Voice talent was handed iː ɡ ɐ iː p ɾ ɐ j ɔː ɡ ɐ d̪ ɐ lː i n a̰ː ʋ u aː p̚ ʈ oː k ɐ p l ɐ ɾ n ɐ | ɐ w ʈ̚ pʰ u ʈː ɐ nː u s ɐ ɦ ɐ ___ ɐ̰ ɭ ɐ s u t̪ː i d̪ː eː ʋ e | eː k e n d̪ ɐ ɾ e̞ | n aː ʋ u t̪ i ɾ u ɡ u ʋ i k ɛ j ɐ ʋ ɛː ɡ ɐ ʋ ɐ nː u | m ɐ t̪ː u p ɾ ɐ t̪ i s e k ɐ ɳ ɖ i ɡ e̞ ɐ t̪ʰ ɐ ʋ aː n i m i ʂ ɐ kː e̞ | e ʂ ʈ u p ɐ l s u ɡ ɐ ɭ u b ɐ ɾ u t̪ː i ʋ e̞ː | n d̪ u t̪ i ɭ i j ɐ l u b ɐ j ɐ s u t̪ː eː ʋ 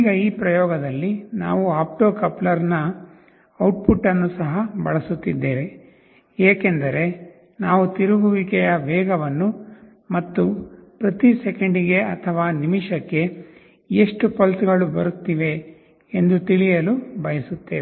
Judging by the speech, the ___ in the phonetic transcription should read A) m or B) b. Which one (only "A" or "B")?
B